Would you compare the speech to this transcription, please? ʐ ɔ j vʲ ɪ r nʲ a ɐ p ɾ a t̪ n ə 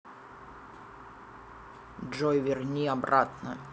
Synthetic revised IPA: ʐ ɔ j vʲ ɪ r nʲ i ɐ b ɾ a t̪ n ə